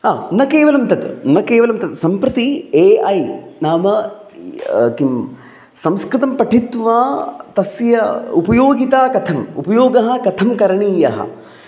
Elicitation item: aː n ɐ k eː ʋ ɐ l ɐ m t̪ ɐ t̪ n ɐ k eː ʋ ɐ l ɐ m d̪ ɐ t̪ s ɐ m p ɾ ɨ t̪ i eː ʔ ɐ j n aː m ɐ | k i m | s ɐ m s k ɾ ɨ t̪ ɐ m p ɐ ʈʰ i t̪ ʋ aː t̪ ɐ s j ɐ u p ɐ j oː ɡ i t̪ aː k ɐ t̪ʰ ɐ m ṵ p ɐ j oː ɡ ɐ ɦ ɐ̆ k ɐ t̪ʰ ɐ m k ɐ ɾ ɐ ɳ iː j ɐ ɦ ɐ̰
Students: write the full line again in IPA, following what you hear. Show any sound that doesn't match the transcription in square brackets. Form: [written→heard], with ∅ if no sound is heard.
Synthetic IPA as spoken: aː n ɐ k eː ʋ ɐ l ɐ m t̪ ɐ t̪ n ɐ k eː ʋ ɐ l ɐ m [d̪→t̪] ɐ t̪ s ɐ m p ɾ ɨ t̪ i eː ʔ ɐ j n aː m ɐ | k i m | s ɐ m s k ɾ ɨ t̪ ɐ m p ɐ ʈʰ i t̪ ʋ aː t̪ ɐ s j ɐ u p ɐ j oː ɡ i t̪ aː k ɐ t̪ʰ ɐ m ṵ p ɐ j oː ɡ ɐ ɦ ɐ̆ k ɐ t̪ʰ ɐ m k ɐ ɾ ɐ ɳ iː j ɐ ɦ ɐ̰